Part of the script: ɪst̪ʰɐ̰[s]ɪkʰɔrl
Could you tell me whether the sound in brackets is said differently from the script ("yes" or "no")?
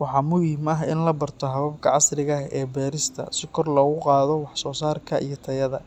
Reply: no